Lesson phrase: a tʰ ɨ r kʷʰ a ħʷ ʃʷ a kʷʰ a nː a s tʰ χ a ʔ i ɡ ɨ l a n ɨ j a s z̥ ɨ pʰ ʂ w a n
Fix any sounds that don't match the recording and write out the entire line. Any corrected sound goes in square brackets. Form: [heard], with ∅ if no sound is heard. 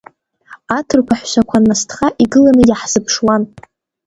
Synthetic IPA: a tʰ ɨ r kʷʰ a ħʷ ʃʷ a kʷʰ a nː a s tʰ χ a ʔ i ɡ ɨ l a n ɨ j a [ħ] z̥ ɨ pʰ ʂ w a n

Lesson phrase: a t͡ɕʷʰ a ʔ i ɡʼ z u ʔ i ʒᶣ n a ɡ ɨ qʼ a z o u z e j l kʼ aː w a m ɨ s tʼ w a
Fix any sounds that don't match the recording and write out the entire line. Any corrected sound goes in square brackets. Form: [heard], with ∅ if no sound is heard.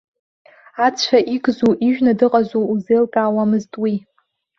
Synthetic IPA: a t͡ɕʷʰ a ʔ i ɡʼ z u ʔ i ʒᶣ n a [d] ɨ qʼ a z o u z e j l kʼ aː w a m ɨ [z] tʼ w [i]

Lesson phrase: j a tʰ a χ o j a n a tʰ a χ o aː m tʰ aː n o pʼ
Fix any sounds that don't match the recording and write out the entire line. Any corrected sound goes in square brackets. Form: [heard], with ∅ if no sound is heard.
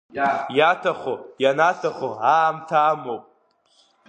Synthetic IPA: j a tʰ a χ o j a n a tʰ a χ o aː m tʰ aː [m] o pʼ

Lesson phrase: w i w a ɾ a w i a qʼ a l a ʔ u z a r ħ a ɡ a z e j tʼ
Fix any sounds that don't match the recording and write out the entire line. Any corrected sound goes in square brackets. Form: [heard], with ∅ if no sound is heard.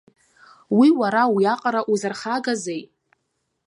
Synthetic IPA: w i w a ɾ a w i a qʼ a [ɾ] a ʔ u z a r [χ] a ɡ a z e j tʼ

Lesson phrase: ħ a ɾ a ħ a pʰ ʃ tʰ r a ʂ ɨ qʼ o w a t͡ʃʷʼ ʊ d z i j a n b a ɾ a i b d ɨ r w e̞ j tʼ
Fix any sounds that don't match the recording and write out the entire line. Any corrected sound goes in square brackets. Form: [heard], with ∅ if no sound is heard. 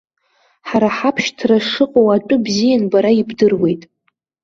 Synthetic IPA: ħ a ɾ a ħ a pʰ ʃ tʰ r a ʂ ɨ qʼ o w a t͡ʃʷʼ ʊ [b] z i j a n b a ɾ a i b d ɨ r w e̞ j tʼ

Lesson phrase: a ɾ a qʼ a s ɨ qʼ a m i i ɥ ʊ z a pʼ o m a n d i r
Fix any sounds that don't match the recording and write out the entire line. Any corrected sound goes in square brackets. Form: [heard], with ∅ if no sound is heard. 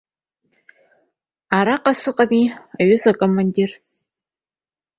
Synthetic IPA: a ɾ a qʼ a s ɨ qʼ a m i [a] ɥ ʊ z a [kʼ] o m a n d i r

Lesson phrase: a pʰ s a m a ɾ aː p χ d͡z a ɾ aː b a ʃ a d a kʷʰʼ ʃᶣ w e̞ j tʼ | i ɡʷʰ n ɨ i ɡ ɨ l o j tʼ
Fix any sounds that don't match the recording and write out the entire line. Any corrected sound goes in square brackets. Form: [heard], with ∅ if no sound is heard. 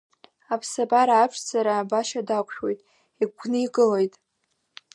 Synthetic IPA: a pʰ s a [b] a ɾ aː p [ʂ] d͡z a ɾ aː b a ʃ a d a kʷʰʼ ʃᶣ w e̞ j tʼ | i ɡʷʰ n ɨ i ɡ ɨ l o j tʼ

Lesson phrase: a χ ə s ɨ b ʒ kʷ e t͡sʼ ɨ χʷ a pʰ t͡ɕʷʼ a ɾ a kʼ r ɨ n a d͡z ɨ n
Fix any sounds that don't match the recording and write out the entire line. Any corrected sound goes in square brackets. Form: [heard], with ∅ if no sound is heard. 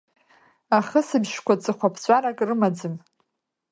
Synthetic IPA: a χ ə s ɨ b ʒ kʷ [a] t͡sʼ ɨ χʷ a pʰ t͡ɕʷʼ a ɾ a kʼ r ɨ [m] a d͡z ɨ [m]

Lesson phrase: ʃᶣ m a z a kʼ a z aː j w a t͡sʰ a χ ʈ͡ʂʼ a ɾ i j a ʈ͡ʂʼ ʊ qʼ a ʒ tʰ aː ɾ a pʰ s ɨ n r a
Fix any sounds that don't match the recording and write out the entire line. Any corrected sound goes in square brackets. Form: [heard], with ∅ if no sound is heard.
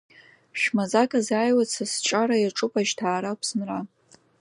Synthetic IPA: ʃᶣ m a z a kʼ a z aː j w a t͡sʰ a [s] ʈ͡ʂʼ a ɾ [a] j a ʈ͡ʂʼ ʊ [pʼ] a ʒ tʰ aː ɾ a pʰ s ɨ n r a

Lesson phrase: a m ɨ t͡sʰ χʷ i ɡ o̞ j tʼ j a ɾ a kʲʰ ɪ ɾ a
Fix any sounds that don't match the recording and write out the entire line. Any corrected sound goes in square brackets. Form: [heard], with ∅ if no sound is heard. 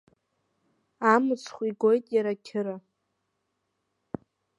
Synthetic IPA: a m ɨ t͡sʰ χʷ i ɡ o̞ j tʼ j a ɾ a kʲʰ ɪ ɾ a

